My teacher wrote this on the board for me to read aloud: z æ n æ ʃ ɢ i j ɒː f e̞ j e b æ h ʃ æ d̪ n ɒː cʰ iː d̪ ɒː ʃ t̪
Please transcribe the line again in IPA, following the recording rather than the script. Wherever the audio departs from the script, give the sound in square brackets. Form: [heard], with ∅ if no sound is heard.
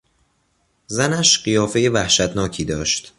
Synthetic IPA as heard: z æ n æ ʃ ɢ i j ɒː f e̞ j e [v] æ h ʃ æ [t̪] n ɒː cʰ iː d̪ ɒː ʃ t̪